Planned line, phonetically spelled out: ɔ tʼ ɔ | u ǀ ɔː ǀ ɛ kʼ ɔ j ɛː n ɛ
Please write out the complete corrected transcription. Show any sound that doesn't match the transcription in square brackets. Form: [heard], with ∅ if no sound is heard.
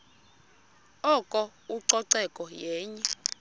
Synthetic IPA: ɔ [kʼ] ɔ | u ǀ [ɔ] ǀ ɛ kʼ ɔ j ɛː [ɲ] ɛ